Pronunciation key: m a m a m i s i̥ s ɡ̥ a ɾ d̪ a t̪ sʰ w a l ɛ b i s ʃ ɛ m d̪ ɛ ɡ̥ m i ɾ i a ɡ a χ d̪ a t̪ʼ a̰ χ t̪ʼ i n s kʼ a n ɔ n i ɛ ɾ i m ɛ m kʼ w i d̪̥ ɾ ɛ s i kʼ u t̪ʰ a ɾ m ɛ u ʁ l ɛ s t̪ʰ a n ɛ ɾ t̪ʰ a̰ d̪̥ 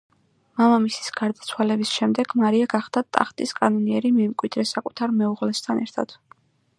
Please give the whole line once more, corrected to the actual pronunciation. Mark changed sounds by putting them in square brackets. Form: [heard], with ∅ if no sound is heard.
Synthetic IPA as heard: m a m a m i s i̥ s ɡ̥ a ɾ d̪ a t̪ sʰ w a l ɛ b i s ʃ ɛ m d̪ ɛ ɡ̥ m [a] ɾ i a ɡ a χ d̪ a t̪ʼ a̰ χ t̪ʼ i [∅] s kʼ a n ɔ n i ɛ ɾ i m ɛ m kʼ w i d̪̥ ɾ ɛ s [a] kʼ u t̪ʰ a ɾ m ɛ u ʁ l ɛ s t̪ʰ a n ɛ ɾ t̪ʰ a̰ d̪̥